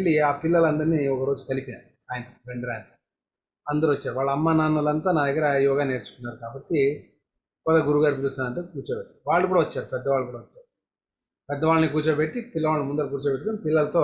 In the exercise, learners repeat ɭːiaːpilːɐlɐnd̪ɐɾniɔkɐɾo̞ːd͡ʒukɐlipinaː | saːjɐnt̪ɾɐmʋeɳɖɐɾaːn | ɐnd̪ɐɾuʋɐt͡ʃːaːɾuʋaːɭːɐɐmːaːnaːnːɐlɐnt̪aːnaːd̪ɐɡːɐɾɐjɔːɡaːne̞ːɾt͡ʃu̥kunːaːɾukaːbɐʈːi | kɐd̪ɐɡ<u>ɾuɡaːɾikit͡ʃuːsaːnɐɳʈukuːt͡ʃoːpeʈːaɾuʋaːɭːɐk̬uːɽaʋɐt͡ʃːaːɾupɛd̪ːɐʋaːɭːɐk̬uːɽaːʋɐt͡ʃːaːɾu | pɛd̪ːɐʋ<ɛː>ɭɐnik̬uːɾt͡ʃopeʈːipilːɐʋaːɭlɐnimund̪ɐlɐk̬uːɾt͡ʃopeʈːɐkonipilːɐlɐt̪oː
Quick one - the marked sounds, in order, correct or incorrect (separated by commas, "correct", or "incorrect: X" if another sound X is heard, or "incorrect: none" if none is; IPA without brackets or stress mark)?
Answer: correct, incorrect: aː